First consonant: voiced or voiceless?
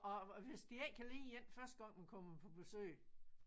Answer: voiced